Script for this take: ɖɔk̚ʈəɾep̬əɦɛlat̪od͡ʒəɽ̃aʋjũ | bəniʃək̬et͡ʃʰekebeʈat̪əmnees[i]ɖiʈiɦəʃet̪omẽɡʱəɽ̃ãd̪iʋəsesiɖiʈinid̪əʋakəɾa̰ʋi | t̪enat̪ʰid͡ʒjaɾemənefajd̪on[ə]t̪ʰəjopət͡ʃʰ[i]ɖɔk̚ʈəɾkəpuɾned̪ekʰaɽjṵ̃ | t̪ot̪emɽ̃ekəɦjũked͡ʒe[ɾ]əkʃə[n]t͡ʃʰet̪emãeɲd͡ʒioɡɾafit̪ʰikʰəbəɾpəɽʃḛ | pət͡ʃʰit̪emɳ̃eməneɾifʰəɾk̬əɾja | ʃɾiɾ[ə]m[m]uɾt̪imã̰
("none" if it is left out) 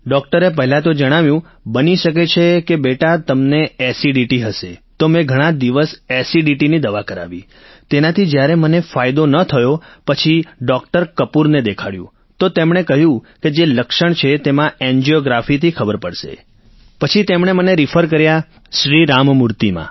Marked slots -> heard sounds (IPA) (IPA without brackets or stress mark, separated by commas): i, ə, i, l, ɳ, a, m